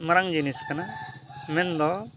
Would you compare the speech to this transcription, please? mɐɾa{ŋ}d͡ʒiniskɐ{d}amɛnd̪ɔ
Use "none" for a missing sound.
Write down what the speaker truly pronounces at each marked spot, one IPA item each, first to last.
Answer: ŋ, n

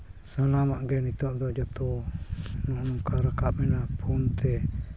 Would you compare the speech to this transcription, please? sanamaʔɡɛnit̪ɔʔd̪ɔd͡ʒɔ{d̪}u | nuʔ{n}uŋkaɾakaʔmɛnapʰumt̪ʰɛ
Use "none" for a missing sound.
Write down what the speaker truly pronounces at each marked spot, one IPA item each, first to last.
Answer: t̪, n

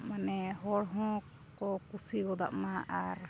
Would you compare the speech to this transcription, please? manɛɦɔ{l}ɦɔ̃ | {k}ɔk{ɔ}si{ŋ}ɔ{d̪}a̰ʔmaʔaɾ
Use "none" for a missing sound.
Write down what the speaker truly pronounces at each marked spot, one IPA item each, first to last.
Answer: ɽ, k, u, ɡ, d̪

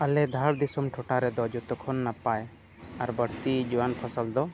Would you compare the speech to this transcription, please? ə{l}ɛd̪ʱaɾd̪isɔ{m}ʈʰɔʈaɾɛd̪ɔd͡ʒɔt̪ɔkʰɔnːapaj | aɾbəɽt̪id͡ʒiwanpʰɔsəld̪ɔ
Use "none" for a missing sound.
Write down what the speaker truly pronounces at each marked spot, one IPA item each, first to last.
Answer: l, m

